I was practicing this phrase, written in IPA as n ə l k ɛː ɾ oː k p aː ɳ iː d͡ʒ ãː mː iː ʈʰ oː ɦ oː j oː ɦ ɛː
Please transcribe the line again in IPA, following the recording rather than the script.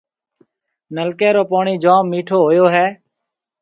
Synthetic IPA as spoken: n ə l k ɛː ɾ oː p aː ɳ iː d͡ʒ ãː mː iː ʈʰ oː ɦ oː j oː ɦ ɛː